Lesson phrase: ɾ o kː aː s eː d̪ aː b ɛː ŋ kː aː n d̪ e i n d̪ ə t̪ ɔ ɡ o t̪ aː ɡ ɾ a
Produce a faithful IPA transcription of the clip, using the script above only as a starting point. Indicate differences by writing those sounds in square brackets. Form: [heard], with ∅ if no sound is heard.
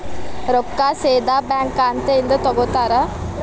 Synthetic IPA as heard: ɾ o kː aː s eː d̪ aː b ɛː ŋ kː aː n [t̪] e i n d̪ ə t̪ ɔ ɡ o t̪ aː [∅] ɾ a